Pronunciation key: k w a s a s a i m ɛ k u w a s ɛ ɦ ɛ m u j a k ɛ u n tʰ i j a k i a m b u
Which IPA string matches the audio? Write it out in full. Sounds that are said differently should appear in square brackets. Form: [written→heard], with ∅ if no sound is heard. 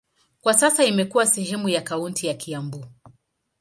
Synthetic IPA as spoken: k w a s a s a i m ɛ k u w a s ɛ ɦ ɛ m u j a k [ɛ→a] u n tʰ i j a k i a m b u